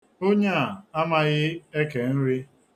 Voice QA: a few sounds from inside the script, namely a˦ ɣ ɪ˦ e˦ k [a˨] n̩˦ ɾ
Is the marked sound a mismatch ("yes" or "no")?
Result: yes